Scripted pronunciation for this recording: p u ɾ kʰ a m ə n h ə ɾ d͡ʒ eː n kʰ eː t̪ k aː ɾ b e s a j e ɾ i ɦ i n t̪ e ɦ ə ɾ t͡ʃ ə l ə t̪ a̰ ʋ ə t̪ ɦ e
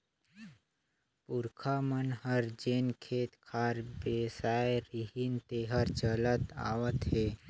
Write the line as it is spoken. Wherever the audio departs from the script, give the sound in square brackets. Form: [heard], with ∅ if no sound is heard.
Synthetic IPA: p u ɾ kʰ a m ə n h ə ɾ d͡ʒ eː n kʰ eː t̪ [kʰ] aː ɾ b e s a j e ɾ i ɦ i n t̪ e ɦ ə ɾ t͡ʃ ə l ə t̪ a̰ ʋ ə t̪ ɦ e